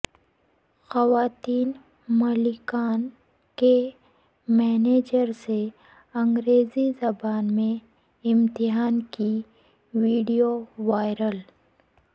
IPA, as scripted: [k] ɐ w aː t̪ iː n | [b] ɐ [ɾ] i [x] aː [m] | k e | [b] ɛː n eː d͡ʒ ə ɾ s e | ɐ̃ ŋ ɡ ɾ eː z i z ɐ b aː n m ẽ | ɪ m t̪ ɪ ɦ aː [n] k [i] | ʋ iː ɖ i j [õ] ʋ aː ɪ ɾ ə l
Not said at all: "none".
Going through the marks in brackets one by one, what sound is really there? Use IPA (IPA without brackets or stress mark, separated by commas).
x, m, l, k, n, m, n, i, o